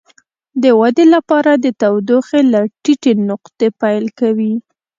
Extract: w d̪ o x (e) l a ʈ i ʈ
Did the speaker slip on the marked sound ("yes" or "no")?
no